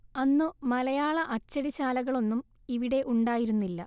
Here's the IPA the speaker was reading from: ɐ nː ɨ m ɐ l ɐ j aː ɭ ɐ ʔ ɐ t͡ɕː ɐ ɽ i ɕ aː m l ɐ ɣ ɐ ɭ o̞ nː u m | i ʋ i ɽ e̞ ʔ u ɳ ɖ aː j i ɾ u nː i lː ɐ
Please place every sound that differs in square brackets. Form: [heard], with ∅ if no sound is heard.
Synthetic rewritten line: ɐ nː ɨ m ɐ l ɐ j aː ɭ ɐ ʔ ɐ t͡ɕː ɐ ɽ i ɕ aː [∅] l ɐ ɣ ɐ ɭ o̞ nː u m | i ʋ i ɽ e̞ ʔ u ɳ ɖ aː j i ɾ u nː i lː ɐ